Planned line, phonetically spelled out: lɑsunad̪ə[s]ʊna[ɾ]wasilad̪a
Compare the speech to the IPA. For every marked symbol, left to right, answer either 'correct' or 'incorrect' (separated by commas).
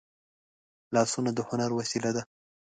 incorrect, correct